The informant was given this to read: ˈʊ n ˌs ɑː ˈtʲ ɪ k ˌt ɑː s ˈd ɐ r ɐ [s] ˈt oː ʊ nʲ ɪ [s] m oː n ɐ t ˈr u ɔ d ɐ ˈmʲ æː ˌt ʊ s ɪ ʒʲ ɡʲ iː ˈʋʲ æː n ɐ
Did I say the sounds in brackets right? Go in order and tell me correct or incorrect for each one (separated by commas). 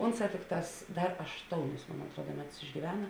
incorrect, correct